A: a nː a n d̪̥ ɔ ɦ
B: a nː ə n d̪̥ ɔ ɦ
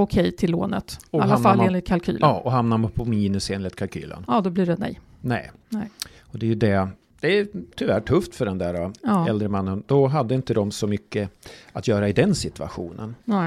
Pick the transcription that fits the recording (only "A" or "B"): B